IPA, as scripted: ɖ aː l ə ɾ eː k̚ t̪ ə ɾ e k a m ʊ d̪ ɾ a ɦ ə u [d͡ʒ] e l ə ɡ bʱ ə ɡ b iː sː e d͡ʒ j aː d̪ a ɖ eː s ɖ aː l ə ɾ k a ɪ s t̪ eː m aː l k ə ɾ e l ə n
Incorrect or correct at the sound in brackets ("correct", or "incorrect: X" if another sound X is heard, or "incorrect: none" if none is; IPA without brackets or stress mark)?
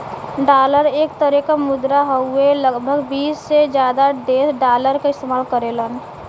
incorrect: none